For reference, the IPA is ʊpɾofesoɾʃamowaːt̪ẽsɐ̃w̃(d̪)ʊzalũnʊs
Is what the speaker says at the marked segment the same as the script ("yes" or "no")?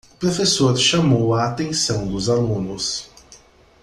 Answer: yes